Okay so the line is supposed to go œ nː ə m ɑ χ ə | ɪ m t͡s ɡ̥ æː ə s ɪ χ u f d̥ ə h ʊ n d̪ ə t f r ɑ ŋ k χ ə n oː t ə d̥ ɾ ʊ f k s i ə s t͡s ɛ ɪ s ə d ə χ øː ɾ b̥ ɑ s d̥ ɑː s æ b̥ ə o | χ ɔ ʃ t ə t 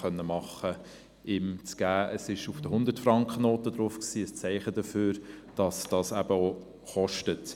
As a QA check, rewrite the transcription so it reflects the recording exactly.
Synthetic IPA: œ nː ə m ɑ χ ə | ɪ m t͡s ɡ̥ æː ə s ɪ ʃ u f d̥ ə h ʊ n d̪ ə t f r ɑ ŋ k χ ə n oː t ə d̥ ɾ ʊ f k s iː ə s t͡s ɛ ɪ χ ə d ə f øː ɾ d̥ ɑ s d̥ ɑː s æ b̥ ə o | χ ɔ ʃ t ə t